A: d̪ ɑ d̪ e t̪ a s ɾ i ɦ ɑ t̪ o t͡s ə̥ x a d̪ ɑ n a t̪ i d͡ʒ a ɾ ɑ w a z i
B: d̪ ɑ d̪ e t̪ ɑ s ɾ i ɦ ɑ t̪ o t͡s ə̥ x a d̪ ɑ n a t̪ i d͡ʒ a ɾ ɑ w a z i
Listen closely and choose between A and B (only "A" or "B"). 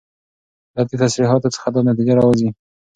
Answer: A